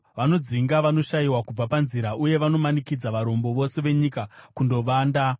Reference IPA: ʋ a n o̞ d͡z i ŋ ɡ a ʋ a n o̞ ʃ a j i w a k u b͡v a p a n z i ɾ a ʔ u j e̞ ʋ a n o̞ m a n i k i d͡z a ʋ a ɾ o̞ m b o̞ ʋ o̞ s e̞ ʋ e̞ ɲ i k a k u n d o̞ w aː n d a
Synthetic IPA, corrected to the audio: ʋ a n o̞ d͡z i ŋ ɡ a ʋ a n o̞ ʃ a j i w a k u b͡v a p a n z i ɾ a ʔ u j e̞ ʋ a n o̞ m a n i k i d͡z a ʋ a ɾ o̞ m b o̞ ʋ o̞ s e̞ ʋ e̞ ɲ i k a k u n d o̞ ʋ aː n d a